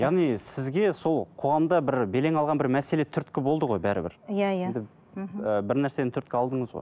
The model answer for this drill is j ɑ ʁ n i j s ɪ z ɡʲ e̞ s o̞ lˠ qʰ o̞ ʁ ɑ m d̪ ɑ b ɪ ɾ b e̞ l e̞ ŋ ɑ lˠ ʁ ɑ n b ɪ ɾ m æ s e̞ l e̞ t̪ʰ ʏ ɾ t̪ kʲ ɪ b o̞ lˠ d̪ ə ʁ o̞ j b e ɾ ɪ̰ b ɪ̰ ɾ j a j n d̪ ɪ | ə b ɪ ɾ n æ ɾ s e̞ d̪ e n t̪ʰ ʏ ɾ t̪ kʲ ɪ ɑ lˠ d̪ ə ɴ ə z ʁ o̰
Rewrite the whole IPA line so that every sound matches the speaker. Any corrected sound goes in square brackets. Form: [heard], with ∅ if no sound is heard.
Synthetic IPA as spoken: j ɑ ʁ n i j s ɪ z ɡʲ e̞ s o̞ lˠ qʰ o̞ ʁ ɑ m d̪ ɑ b ɪ ɾ b e̞ l e̞ ŋ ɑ lˠ ʁ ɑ n b ɪ ɾ m æ s e̞ l e̞ t̪ʰ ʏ ɾ t̪ kʲ ɪ b o̞ lˠ d̪ ə ʁ o̞ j b [æ] ɾ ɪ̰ b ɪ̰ ɾ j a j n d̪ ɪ | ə b ɪ ɾ n æ ɾ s e̞ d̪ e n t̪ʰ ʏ ɾ t̪ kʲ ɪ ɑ lˠ d̪ ə ɴ ə z ʁ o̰